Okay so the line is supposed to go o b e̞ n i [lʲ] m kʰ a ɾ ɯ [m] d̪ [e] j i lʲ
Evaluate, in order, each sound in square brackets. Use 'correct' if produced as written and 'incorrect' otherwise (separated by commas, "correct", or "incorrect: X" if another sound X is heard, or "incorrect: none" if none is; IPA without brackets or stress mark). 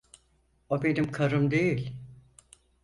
incorrect: none, correct, correct